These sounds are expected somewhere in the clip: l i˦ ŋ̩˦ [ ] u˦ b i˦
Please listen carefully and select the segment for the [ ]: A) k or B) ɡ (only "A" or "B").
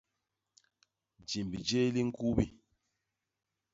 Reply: A